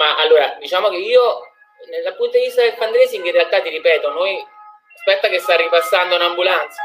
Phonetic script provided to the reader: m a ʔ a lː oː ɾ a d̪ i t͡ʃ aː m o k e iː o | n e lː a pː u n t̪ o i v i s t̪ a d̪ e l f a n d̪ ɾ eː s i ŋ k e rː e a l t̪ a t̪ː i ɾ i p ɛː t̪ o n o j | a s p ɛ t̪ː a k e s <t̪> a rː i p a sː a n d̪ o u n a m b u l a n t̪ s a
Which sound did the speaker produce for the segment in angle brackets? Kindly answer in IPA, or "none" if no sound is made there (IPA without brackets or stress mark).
t̪